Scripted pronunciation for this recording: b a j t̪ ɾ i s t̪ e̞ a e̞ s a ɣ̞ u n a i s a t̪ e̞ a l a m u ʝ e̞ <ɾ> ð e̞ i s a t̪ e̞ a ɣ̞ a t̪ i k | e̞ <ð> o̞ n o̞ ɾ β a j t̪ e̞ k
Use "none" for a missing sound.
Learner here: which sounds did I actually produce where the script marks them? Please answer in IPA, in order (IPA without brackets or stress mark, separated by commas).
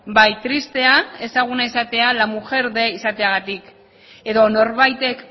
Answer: ɾ, ð